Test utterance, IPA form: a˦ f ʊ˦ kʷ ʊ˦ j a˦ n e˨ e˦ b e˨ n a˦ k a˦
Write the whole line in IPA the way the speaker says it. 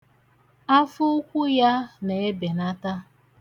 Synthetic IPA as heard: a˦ f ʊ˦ kʷ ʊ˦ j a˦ n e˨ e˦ b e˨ n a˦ t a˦